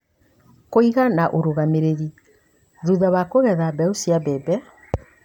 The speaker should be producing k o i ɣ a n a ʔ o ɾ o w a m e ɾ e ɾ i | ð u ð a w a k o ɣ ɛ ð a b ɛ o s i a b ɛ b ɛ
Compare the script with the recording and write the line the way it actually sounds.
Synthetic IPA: k o i ɣ a n a ʔ o ɾ o ɣ a m e ɾ e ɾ i | ð u ð a β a k o ɣ ɛ ð a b ɛ o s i a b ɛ b ɛ